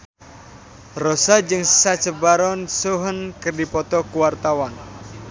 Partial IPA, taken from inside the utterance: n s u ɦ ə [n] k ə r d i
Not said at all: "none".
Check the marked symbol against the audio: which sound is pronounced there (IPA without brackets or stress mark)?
n